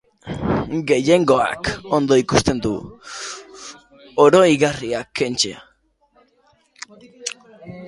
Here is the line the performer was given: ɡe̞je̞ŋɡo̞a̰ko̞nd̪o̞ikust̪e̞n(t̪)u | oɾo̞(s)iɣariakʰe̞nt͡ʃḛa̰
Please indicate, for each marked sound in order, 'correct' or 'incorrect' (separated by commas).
incorrect, incorrect